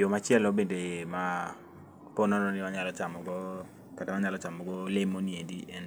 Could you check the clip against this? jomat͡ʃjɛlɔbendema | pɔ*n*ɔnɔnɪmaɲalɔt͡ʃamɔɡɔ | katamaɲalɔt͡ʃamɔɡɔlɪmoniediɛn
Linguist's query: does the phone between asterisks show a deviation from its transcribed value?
no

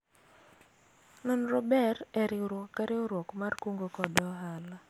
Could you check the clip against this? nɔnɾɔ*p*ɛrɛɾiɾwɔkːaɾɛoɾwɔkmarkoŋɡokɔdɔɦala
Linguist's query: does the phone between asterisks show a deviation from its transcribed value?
yes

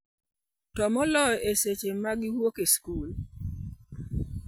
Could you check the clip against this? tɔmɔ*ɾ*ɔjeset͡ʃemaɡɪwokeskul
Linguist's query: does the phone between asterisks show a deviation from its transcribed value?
yes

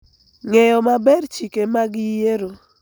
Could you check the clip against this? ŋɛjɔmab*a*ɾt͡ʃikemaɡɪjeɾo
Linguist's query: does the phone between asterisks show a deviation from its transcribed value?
yes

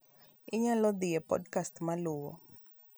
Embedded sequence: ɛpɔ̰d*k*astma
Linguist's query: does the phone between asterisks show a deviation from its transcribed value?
no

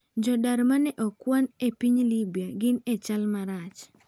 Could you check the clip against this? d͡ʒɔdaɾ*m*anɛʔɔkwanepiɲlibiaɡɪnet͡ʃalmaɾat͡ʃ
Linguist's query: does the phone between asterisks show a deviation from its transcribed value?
no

